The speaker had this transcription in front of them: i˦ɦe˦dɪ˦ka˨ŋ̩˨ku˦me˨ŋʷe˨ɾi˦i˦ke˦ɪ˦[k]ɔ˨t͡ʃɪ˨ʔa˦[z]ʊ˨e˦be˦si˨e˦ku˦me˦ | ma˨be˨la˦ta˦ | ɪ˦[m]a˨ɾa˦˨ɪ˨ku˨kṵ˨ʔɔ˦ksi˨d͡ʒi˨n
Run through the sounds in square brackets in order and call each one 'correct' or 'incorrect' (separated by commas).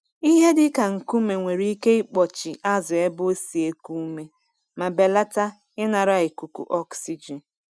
incorrect, correct, incorrect